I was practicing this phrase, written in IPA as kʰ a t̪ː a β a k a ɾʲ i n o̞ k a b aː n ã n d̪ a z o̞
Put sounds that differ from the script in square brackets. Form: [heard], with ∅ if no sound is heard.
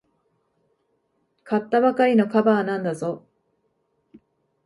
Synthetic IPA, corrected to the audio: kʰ a t̪ː a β a k a ɾʲ i n o̞ k a b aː n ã n d̪ a z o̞